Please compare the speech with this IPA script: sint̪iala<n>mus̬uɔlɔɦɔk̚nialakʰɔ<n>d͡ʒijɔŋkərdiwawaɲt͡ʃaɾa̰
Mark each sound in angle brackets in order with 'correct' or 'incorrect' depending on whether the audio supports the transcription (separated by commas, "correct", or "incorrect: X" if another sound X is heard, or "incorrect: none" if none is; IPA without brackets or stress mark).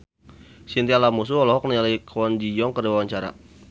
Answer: incorrect: none, correct